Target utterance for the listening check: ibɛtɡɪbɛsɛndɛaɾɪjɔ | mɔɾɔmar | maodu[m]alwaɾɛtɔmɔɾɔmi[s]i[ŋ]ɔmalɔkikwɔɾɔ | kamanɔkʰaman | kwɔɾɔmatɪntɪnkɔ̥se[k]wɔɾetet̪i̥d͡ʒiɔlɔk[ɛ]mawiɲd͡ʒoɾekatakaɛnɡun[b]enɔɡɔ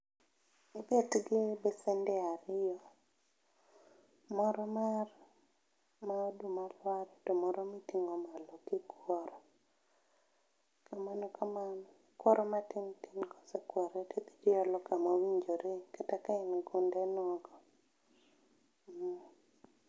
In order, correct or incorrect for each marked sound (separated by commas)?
correct, incorrect, correct, correct, incorrect, incorrect